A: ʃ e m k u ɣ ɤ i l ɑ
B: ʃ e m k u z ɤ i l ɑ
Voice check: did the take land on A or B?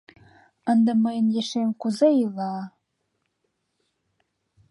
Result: B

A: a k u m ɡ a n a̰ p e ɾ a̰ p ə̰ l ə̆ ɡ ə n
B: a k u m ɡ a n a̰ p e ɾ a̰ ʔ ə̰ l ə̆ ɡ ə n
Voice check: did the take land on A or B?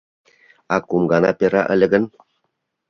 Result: B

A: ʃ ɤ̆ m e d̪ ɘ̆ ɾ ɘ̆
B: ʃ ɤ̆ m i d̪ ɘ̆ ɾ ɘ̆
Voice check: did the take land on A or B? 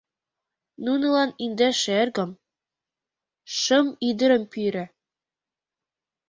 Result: B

